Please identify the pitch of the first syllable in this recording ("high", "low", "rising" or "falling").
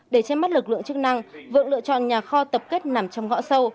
falling